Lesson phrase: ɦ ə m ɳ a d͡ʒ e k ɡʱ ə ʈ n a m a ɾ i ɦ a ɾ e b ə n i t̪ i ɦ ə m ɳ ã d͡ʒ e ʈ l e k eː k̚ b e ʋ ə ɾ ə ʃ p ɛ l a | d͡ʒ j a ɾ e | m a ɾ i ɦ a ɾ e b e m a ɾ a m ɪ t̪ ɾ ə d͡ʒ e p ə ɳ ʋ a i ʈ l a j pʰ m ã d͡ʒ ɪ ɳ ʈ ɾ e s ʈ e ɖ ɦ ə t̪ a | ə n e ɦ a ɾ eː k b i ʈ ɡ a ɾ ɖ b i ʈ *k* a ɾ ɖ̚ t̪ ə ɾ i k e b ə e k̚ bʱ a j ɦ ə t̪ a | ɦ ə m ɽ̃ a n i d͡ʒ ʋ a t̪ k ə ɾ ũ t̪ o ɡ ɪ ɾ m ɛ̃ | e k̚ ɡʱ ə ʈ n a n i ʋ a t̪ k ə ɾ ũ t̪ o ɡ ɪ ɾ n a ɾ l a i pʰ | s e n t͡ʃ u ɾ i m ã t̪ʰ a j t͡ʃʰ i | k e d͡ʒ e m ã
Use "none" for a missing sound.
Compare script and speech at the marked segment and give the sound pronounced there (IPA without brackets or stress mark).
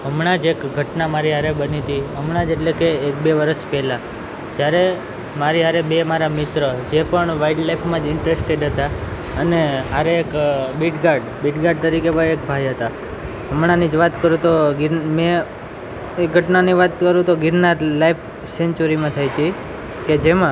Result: ɡ